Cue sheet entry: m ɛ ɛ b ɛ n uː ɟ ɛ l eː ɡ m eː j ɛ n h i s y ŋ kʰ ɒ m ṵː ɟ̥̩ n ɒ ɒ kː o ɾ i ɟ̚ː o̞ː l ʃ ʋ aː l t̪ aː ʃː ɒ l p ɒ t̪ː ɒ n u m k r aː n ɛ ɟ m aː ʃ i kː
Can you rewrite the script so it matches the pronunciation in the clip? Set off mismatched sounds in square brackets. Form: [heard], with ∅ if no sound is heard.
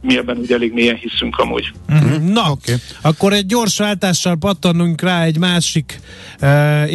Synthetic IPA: m [i] ɛ b ɛ n uː ɟ ɛ l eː ɡ m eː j ɛ n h i s y ŋ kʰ ɒ m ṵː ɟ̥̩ n ɒ ɒ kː o ɾ [ɛ] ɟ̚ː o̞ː [r] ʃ ʋ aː l t̪ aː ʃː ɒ l p ɒ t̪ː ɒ n u [ŋ] k r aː [∅] ɛ ɟ m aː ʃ i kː